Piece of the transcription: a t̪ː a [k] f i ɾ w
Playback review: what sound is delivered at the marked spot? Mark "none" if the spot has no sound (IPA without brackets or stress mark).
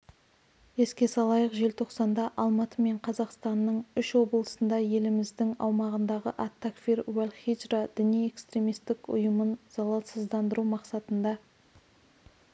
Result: k